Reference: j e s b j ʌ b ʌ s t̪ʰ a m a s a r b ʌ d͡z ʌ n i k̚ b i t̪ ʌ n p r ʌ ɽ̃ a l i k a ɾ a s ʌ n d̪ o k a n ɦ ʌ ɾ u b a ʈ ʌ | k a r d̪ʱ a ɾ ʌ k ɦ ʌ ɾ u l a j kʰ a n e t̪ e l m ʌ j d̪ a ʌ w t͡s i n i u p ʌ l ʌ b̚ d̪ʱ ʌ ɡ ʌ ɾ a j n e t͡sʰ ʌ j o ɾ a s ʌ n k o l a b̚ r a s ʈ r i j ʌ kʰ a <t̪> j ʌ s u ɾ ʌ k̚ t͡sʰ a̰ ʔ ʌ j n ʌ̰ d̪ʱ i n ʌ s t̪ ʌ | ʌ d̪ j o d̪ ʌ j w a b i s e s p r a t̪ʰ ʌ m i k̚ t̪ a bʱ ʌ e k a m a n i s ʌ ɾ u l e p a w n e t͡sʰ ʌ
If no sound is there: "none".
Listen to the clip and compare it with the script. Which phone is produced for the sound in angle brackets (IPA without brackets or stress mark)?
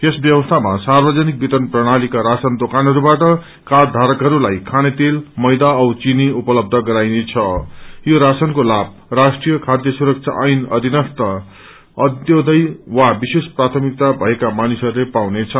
d̪